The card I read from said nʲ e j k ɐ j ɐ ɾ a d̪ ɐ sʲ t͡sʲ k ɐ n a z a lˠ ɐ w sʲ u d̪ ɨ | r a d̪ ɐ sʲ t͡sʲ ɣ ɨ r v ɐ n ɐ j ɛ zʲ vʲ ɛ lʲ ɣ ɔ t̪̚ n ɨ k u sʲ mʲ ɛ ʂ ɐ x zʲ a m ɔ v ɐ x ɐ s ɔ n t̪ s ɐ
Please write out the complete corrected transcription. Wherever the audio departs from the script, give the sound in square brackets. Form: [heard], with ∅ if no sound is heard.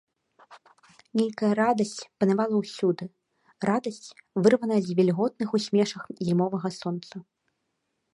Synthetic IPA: nʲ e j k ɐ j ɐ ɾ a d̪ ɐ sʲ t͡sʲ [p] ɐ n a [v] a lˠ ɐ w sʲ u d̪ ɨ | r a d̪ ɐ sʲ t͡sʲ [v] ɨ r v ɐ n ɐ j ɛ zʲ vʲ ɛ lʲ ɣ ɔ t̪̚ n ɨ [x] u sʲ mʲ ɛ ʂ ɐ x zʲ [i] m ɔ v ɐ [ɣ] ɐ s ɔ n t̪ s ɐ